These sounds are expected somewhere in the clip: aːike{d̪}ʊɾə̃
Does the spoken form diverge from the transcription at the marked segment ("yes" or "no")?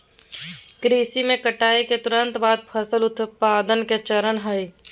yes